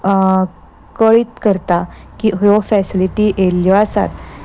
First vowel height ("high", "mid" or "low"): mid